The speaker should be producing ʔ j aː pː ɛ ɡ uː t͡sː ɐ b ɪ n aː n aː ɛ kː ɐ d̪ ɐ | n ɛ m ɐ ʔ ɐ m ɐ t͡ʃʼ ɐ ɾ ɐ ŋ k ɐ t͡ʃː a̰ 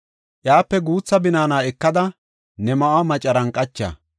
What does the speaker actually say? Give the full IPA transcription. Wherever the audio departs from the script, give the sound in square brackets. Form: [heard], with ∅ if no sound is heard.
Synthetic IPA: ʔ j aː pː ɛ ɡ uː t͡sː ɐ b ɪ n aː n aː ɛ kː ɐ d̪ ɐ | n ɛ m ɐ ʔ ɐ m ɐ t͡ʃʼ ɐ ɾ ɐ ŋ [kʼ] ɐ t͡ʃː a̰